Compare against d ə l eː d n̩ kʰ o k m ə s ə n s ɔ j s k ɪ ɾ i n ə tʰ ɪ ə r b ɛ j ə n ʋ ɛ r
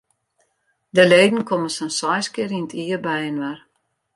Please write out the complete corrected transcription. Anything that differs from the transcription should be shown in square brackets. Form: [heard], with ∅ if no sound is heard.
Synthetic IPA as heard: d ə l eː d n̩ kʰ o [∅] m ə s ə n s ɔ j s k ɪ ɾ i n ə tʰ [i] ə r b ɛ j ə n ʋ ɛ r